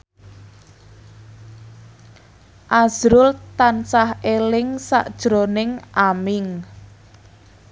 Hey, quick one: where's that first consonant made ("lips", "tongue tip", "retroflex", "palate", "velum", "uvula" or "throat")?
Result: throat